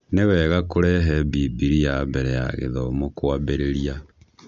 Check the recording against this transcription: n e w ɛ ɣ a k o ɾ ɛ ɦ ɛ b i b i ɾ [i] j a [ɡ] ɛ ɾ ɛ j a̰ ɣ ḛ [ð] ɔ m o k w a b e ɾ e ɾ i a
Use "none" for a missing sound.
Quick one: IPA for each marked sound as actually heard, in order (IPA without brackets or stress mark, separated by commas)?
i, b, ð